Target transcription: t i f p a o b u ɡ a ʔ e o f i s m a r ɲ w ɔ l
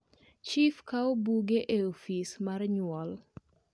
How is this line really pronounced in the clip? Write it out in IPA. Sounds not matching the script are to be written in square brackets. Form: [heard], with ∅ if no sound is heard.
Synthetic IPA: [t͡ʃ] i f [k] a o b u ɡ [e] ʔ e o f i s m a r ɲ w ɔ l